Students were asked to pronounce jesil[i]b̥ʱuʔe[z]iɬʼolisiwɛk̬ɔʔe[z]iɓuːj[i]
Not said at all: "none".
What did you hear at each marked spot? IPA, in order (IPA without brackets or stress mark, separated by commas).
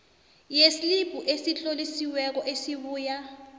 i, s, s, a